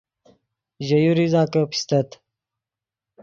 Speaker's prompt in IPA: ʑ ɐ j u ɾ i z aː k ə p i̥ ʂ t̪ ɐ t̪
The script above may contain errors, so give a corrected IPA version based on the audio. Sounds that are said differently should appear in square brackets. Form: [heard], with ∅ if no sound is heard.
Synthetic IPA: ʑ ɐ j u ɾ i z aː k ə p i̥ [s] t̪ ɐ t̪